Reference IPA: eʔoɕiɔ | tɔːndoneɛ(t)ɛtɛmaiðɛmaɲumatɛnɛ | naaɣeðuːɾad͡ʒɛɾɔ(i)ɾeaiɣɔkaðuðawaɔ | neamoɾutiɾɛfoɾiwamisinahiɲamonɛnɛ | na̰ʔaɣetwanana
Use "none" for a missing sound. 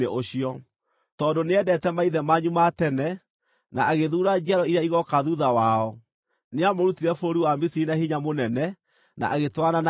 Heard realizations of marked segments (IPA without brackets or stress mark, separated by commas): d, i